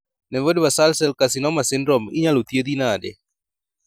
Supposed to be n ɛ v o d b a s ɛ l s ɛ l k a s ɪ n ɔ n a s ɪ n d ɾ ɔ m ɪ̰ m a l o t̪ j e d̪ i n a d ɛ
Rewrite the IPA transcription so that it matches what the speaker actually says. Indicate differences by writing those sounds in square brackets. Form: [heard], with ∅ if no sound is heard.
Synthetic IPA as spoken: n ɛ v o d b a s [a] l s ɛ l k a s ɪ n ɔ [m] a s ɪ n d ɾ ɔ m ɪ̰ [ɲ] a l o t̪ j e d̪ i n a d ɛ